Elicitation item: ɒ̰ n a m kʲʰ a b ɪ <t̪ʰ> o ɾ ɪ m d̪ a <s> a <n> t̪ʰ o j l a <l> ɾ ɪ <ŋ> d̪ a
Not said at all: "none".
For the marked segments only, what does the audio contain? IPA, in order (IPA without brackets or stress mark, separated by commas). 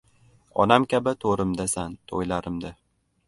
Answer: t̪ʰ, s, n, none, m